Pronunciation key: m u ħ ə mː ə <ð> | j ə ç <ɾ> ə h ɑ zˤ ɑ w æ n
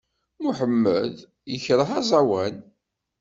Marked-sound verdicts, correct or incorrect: correct, correct

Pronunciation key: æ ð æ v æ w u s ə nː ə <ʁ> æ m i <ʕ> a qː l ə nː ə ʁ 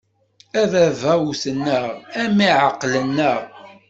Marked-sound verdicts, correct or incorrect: correct, correct

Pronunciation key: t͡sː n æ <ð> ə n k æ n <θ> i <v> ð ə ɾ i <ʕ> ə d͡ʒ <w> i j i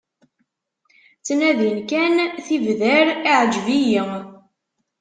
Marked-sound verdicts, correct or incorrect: correct, correct, correct, correct, incorrect

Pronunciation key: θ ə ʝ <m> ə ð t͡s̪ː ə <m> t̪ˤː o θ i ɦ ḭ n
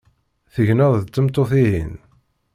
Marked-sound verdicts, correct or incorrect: incorrect, correct

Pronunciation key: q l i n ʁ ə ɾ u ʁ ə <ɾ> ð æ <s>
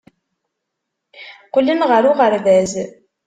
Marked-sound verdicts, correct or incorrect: correct, incorrect

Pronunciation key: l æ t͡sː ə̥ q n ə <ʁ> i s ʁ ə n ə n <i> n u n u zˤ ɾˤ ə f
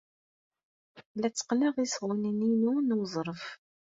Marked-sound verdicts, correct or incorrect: correct, correct

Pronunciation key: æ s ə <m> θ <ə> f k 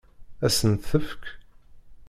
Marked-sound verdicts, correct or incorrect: incorrect, correct

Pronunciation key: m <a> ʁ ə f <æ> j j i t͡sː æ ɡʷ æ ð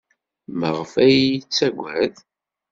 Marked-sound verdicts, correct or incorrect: incorrect, correct

